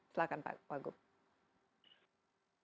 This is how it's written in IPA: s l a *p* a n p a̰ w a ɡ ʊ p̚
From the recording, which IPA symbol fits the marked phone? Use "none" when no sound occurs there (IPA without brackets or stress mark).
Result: k